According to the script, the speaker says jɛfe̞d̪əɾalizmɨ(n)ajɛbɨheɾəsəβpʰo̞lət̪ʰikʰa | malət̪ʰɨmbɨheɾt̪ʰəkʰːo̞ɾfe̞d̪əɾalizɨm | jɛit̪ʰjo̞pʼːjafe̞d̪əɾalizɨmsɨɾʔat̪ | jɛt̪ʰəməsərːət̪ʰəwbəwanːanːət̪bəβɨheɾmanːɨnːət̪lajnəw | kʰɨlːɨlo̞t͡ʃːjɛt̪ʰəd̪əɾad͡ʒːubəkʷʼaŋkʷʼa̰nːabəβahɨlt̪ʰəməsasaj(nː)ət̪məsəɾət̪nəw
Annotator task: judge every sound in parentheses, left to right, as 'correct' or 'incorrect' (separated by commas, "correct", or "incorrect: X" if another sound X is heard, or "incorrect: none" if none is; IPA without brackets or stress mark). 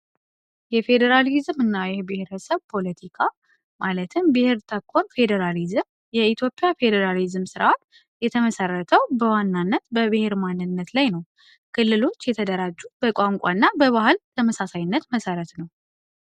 incorrect: nː, correct